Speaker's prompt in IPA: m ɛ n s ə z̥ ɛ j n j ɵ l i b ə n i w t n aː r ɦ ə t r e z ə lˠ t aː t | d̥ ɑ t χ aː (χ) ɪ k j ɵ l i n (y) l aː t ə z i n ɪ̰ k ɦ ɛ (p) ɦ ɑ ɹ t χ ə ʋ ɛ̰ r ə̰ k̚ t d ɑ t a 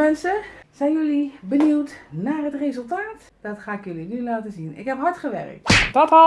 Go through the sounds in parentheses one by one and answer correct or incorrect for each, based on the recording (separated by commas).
incorrect, correct, correct